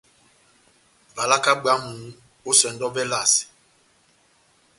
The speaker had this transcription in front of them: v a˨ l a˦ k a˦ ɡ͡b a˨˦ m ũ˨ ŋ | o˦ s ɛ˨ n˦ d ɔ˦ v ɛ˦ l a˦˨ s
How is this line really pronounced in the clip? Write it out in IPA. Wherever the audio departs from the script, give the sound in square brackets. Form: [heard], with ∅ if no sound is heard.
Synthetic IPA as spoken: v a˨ l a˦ k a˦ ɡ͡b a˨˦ m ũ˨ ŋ | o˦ s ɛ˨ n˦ d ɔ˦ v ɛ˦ l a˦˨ s